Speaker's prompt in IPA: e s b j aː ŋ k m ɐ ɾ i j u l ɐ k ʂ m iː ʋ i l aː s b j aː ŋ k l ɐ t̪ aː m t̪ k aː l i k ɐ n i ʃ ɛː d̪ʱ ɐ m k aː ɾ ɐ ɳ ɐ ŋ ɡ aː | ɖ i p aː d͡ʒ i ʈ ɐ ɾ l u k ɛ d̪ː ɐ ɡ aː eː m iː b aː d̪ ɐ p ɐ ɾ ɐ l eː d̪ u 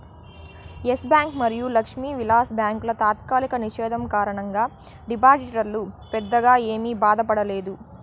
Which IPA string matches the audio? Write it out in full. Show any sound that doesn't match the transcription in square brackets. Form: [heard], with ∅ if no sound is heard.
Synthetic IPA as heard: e s b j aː ŋ k m ɐ ɾ i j u l ɐ k ʂ m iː ʋ i l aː s b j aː ŋ k l ɐ t̪ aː [∅] t̪ k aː l i k ɐ n i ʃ ɛː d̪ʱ ɐ m k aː ɾ ɐ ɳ ɐ ŋ ɡ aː | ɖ i p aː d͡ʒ i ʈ ɐ ɾ l u [p] ɛ d̪ː ɐ ɡ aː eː m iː b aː d̪ ɐ p ɐ [ɽ] ɐ l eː d̪ u